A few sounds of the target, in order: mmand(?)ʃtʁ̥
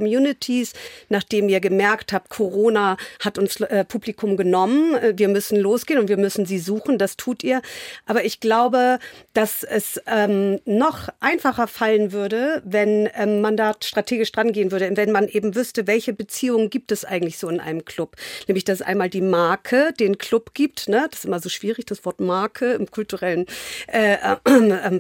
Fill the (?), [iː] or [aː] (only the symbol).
aː